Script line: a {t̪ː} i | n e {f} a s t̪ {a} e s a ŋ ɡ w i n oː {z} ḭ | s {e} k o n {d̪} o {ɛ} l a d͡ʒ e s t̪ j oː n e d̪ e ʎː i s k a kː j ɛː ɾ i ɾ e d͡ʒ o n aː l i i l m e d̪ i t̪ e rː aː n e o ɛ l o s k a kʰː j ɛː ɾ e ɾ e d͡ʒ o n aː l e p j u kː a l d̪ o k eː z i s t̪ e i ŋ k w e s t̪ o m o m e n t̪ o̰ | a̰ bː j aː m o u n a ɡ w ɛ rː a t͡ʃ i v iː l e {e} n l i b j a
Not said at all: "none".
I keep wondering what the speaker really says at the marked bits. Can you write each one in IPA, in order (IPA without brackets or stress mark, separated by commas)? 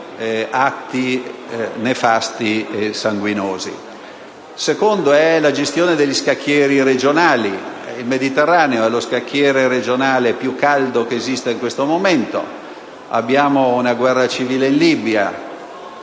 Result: t̪ː, f, i, z, e, d̪, ɛ, i